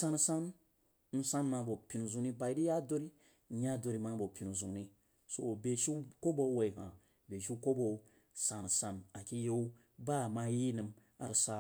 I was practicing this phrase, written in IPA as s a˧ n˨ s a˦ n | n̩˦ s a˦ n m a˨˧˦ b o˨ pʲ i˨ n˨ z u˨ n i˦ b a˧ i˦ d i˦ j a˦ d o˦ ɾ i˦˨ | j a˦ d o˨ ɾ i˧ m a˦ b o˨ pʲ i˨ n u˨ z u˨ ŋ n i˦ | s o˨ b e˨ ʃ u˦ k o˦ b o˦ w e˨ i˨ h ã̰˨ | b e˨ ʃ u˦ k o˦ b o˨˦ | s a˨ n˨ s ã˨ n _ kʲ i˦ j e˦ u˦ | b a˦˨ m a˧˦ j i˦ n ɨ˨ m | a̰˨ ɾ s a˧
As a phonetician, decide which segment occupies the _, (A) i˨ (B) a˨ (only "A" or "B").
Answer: B